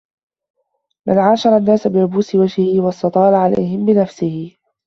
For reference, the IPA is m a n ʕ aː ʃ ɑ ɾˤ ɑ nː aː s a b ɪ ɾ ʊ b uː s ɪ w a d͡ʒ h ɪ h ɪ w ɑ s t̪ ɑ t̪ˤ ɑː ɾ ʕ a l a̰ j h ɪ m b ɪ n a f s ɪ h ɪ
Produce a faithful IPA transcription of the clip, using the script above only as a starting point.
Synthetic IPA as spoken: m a n ʕ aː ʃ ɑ ɾˤ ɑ nː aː s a b ɪ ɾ ʊ b uː s ɪ w a d͡ʒ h ɪ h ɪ w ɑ s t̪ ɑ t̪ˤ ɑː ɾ ʕ a l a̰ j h ɪ m b ɪ n a f s ɪ h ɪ